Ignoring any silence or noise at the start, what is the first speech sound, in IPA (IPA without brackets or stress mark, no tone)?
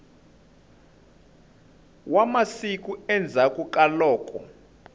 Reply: w